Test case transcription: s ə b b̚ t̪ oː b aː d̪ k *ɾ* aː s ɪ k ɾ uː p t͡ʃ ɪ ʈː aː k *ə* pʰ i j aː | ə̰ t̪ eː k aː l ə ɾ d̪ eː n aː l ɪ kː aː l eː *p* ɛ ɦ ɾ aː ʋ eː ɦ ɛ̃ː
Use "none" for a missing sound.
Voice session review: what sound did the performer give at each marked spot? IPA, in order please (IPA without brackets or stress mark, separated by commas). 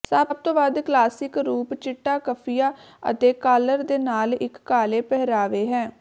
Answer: l, ə, p